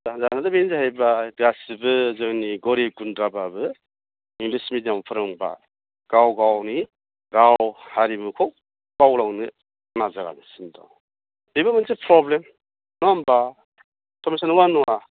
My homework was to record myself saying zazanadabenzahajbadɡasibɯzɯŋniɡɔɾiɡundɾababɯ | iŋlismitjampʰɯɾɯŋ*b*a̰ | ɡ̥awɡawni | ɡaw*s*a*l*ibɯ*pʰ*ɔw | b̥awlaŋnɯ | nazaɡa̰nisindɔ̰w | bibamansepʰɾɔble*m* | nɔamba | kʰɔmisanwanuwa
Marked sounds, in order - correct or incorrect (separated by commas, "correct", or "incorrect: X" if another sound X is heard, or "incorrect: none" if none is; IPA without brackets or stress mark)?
correct, incorrect: h, incorrect: ɾ, incorrect: kʰ, correct